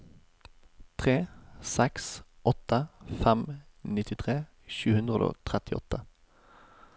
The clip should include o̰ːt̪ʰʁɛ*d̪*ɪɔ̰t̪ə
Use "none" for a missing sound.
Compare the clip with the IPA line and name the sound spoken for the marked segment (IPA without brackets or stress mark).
t̪